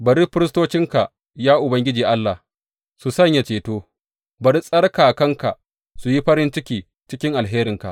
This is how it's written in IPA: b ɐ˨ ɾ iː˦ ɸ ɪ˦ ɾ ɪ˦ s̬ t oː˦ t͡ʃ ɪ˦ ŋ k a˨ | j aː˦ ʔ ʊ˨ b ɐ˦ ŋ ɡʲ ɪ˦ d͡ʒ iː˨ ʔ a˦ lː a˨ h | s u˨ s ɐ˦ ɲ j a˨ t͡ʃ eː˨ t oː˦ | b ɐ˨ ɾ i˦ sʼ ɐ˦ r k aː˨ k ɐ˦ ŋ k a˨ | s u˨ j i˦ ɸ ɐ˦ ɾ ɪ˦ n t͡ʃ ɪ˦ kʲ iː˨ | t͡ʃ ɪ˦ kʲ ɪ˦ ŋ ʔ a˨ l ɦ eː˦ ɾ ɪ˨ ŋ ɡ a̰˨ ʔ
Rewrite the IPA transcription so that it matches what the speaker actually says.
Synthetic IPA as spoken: b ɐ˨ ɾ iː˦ ɸ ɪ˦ ɾ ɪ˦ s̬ t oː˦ t͡ʃ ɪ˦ ŋ k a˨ | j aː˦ ʔ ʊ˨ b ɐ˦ ŋ ɡʲ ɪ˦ d͡ʒ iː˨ ʔ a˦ lː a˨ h | s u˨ s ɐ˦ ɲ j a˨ t͡ʃ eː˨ t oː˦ | b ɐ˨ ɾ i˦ sʼ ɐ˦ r k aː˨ k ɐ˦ ŋ k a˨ | s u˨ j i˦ ɸ ɐ˦ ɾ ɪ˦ n t͡ʃ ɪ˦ kʲ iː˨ | t͡ʃ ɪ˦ kʲ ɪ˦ ŋ ʔ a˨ l ɦ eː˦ ɾ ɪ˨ ŋ k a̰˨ ʔ